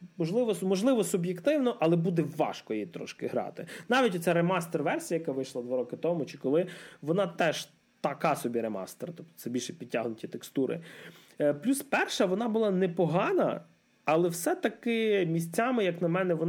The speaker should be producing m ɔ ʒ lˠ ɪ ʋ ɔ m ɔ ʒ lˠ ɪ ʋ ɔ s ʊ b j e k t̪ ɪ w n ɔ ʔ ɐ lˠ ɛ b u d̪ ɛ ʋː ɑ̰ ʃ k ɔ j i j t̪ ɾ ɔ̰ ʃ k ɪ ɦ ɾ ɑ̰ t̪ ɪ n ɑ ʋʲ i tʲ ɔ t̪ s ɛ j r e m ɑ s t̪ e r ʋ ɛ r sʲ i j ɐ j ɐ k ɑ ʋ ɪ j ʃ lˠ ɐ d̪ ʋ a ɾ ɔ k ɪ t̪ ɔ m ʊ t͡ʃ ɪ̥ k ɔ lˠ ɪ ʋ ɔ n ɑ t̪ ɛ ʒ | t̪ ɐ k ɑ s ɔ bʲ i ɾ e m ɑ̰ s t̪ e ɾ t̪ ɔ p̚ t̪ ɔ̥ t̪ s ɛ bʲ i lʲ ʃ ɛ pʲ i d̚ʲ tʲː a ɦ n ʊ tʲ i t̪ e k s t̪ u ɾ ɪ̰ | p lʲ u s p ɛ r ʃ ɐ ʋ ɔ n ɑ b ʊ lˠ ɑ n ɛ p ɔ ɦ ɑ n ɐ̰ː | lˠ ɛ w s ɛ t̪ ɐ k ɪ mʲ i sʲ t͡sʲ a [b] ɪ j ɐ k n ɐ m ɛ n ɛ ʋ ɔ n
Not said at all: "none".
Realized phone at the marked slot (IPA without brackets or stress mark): m